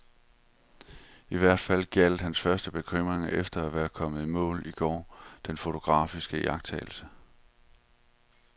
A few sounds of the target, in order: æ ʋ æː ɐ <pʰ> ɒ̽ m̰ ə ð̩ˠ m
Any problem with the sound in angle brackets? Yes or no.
yes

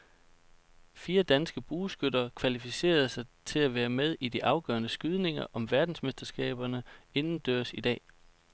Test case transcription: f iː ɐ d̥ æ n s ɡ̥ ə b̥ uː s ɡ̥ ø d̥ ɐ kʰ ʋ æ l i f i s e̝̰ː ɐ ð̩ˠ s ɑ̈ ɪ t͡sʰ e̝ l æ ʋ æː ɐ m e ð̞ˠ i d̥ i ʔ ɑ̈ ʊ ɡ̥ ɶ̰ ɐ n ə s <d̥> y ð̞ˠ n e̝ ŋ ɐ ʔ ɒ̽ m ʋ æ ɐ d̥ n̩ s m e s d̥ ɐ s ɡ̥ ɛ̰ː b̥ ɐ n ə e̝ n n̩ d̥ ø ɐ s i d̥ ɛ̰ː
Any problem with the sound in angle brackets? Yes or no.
yes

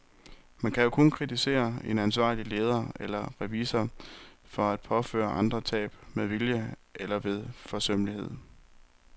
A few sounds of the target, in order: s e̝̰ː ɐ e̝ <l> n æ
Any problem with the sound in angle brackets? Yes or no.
yes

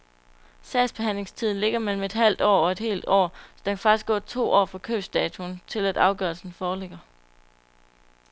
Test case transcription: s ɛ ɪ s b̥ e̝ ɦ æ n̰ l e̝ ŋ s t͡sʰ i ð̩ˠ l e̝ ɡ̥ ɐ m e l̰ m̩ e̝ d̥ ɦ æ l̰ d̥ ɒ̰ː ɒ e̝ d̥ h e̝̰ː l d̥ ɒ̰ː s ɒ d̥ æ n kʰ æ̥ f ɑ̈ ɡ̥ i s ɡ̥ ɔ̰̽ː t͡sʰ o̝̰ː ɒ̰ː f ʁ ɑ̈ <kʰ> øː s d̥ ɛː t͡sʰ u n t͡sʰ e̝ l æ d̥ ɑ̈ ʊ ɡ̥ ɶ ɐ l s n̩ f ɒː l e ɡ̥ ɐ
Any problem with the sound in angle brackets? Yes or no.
no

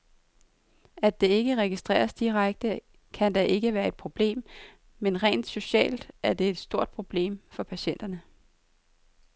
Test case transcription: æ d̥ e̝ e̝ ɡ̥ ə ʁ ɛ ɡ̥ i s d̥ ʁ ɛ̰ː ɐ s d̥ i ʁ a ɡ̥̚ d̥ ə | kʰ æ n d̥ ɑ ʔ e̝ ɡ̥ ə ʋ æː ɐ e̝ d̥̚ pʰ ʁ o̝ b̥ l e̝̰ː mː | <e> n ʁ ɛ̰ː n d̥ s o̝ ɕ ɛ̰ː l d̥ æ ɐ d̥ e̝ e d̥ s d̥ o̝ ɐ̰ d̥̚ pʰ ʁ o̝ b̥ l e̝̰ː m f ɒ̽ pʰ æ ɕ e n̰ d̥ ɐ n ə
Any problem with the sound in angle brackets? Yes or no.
no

